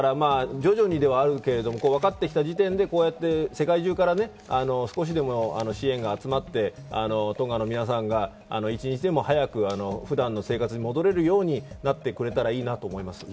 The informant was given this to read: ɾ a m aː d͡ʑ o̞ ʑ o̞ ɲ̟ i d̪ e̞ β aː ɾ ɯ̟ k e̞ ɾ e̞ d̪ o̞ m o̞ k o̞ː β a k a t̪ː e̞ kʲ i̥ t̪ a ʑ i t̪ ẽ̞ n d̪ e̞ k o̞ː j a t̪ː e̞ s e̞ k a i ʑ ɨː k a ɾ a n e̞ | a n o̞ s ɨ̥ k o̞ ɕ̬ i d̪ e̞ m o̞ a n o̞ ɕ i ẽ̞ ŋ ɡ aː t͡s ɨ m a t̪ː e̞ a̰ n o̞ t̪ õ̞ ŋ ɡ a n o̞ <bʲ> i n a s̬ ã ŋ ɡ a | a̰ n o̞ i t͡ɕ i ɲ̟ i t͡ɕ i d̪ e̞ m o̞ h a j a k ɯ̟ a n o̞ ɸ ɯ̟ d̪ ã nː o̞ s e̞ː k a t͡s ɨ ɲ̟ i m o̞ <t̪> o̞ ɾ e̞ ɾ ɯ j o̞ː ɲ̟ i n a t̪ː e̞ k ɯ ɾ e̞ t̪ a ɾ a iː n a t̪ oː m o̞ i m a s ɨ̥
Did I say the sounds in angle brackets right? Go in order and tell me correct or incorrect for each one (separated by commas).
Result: incorrect, incorrect